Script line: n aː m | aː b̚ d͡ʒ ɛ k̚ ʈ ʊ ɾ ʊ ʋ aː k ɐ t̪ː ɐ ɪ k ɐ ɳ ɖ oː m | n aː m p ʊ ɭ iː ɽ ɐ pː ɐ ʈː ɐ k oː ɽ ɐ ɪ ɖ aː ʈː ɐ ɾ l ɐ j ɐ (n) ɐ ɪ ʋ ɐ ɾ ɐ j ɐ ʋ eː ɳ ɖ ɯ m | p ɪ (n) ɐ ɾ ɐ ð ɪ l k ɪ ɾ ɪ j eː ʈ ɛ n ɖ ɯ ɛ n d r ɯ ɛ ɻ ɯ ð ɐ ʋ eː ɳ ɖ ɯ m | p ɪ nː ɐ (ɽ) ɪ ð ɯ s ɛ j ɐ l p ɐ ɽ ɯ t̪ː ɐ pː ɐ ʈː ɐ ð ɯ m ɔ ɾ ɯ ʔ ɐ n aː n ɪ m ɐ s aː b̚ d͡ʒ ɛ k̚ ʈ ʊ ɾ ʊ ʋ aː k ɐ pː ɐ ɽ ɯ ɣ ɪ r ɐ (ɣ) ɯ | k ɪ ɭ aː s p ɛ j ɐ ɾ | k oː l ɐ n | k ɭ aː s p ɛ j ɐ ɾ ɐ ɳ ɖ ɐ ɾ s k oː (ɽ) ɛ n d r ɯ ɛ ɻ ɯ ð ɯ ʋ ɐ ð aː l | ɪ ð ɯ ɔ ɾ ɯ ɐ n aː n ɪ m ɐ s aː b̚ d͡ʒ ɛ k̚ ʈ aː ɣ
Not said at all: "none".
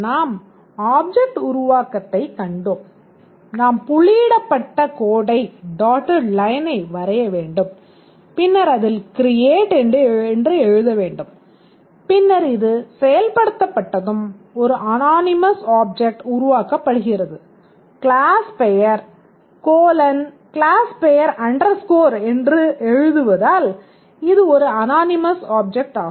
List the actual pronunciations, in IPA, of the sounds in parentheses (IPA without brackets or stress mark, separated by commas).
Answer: n, nː, ɾ, ð, ɾ